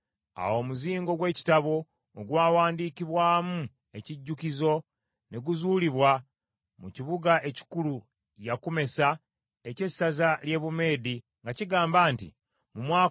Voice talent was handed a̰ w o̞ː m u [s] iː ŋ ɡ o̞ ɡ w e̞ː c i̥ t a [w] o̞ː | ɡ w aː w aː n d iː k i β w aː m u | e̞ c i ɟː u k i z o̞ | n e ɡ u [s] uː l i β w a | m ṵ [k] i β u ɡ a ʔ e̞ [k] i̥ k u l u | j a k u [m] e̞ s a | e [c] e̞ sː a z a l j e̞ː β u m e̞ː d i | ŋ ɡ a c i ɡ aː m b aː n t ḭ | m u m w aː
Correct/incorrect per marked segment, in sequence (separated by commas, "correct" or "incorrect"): incorrect, incorrect, incorrect, incorrect, incorrect, correct, correct